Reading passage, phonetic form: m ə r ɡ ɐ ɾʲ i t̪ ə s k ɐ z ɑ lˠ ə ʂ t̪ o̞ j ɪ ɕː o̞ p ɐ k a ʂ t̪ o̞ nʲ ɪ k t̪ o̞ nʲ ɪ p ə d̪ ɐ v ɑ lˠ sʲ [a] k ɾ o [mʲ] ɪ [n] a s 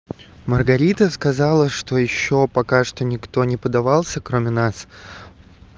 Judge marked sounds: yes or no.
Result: no, yes, yes

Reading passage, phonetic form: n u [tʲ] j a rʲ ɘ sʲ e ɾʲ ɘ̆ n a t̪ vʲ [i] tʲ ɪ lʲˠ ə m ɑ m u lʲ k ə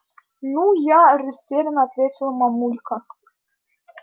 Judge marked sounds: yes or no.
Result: no, no

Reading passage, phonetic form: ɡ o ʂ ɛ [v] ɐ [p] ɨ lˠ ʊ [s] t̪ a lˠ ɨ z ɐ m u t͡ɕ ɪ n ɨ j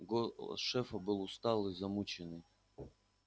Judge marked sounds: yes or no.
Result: no, no, yes

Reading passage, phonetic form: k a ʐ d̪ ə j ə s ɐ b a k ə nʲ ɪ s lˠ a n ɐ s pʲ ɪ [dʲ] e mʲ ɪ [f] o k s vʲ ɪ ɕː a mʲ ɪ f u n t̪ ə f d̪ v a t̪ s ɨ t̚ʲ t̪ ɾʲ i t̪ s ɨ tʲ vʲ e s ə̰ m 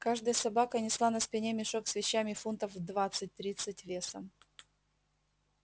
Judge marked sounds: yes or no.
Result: no, no

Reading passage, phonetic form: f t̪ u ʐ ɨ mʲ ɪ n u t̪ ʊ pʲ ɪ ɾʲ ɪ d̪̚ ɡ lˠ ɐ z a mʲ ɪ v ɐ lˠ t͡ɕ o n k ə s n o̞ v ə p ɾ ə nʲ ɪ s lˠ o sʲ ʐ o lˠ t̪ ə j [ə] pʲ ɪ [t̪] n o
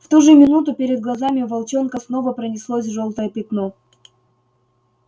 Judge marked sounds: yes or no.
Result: yes, yes

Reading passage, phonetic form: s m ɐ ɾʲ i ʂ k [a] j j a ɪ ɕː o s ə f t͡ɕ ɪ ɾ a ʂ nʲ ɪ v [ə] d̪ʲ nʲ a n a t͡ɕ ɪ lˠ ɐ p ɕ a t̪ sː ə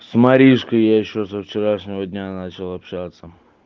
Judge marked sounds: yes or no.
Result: no, yes

